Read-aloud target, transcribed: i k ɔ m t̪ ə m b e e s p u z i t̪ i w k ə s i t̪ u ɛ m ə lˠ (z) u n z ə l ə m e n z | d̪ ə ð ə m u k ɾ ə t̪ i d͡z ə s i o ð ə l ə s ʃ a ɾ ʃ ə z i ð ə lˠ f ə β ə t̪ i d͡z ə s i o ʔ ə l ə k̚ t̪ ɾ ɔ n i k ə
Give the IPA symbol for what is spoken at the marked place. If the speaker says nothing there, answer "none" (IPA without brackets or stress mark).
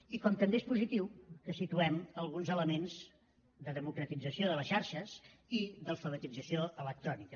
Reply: ɣ